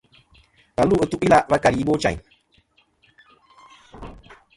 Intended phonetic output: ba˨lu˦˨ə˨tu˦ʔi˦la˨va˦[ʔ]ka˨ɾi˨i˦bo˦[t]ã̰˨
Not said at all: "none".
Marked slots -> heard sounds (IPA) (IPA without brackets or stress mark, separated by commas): none, t͡ʃ